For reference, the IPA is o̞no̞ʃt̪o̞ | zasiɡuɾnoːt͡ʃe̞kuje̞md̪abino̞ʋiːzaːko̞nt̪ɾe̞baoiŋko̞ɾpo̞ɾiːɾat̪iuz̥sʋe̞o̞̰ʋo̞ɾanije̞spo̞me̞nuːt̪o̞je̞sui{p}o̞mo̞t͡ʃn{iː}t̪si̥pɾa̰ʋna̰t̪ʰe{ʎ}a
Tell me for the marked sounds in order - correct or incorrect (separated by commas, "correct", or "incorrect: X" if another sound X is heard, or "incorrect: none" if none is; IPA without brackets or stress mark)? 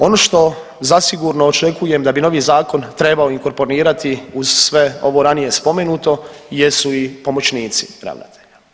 correct, correct, correct